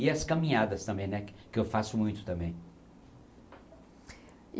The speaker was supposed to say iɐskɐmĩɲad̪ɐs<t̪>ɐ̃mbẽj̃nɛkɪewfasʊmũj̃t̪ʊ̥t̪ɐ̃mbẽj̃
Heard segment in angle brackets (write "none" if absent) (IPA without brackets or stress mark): t̪